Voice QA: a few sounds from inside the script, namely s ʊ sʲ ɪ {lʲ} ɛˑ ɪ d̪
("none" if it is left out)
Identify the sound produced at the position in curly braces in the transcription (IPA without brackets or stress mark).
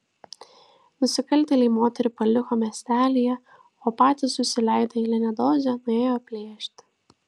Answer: lʲ